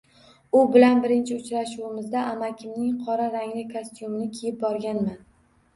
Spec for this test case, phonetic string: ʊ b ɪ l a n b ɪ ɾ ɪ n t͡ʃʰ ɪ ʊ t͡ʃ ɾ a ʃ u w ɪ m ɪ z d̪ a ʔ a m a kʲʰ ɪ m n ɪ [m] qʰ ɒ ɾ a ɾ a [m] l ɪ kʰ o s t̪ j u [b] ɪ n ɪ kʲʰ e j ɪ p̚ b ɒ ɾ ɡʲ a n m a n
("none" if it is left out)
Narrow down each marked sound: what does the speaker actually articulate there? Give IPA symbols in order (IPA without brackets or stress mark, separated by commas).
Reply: ŋ, ŋ, m